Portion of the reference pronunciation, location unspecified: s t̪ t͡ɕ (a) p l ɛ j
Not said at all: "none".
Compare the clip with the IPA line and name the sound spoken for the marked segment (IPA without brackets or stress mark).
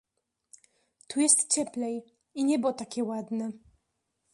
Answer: ɛ